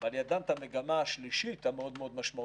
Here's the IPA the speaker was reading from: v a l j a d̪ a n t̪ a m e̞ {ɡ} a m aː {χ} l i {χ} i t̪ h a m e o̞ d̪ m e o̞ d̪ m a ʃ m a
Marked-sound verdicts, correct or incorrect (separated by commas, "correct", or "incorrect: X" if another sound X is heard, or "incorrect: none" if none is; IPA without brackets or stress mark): correct, incorrect: ʃ, incorrect: ʃ